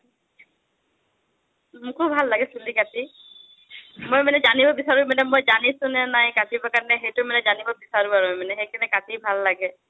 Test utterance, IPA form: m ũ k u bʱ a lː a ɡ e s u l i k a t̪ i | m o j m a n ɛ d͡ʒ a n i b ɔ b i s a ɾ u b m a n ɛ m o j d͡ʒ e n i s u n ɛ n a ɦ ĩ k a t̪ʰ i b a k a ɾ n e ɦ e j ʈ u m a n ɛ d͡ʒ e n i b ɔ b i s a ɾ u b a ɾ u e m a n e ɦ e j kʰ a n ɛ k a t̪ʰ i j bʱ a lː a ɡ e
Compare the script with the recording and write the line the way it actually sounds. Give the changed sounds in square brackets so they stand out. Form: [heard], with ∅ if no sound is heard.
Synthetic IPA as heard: m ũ k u bʱ a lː a ɡ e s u l i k a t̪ i | m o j m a n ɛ d͡ʒ a n i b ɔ b i s a ɾ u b m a n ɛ m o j d͡ʒ [a] n i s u n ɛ n a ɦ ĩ k a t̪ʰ i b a k a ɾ n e ɦ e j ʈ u m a n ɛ d͡ʒ [a] n i b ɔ b i s a ɾ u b a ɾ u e m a n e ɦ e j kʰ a n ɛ k a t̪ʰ i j bʱ a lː a ɡ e